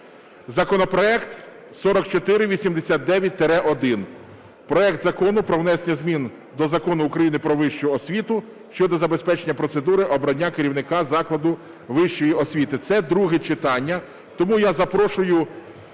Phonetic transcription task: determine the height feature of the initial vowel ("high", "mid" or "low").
low